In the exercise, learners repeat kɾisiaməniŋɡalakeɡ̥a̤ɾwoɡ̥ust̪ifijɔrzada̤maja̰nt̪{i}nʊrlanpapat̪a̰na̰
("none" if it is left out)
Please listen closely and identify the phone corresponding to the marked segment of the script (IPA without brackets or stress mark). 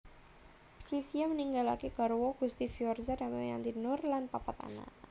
i